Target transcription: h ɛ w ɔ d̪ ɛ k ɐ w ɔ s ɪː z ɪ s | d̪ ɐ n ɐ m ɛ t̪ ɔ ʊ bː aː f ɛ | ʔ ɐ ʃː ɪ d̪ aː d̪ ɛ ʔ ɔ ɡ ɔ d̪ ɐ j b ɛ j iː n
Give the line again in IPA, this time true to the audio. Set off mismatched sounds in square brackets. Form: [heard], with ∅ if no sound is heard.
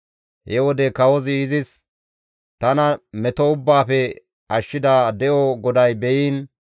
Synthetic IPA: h ɛ w ɔ d̪ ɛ k ɐ w ɔ [z] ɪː z ɪ s | [t̪] ɐ n ɐ m ɛ t̪ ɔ ʊ bː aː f ɛ | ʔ ɐ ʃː ɪ d̪ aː d̪ ɛ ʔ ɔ ɡ ɔ d̪ ɐ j b ɛ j iː n